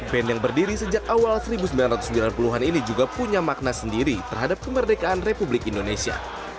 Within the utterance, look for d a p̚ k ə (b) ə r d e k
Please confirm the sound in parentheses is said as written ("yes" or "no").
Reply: no